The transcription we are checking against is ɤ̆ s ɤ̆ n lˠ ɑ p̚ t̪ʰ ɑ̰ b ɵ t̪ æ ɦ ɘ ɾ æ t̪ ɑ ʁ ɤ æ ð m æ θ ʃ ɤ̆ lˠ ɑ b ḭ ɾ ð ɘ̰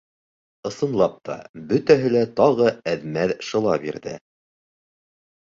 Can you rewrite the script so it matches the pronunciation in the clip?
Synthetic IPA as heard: ɤ̆ s ɤ̆ n lˠ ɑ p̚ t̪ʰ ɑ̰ b ɵ t̪ æ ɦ ɘ l æ t̪ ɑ ʁ ɤ æ ð m æ ð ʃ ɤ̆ lˠ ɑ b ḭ ɾ ð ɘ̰